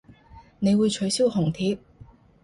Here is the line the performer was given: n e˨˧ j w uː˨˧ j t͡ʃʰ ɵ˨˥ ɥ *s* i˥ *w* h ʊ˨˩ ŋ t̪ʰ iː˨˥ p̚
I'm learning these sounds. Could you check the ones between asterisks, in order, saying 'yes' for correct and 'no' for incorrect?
yes, yes

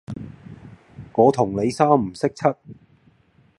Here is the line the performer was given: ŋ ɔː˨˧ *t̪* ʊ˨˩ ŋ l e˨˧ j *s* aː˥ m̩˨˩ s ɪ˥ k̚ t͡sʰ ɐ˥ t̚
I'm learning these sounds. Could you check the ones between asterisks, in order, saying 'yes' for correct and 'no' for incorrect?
no, yes

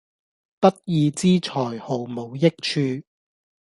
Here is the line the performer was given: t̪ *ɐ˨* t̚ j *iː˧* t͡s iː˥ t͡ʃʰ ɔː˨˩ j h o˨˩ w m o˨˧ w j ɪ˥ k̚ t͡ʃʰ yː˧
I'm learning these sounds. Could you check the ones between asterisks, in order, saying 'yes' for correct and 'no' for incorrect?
no, yes

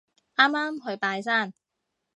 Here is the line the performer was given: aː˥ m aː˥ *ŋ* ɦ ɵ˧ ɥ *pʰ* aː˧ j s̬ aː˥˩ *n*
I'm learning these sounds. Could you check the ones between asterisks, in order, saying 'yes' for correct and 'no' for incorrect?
no, no, yes

